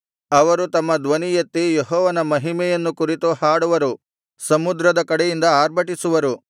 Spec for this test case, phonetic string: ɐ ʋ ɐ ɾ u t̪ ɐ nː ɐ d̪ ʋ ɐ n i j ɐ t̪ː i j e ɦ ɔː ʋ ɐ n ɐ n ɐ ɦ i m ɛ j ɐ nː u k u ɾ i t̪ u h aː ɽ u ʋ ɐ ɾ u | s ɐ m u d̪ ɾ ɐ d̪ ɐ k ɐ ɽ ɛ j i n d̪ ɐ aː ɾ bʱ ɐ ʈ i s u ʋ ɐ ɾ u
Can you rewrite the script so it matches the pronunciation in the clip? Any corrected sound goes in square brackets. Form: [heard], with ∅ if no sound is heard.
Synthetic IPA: ɐ ʋ ɐ ɾ u t̪ ɐ [mː] ɐ d̪ ʋ ɐ n i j ɐ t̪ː i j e ɦ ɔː ʋ ɐ n ɐ [m] ɐ ɦ i m ɛ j ɐ nː u k u ɾ i t̪ u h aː ɽ u ʋ ɐ ɾ u | s ɐ m u d̪ ɾ ɐ d̪ ɐ k ɐ ɽ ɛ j i n d̪ ɐ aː ɾ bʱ ɐ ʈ i s u ʋ ɐ ɾ u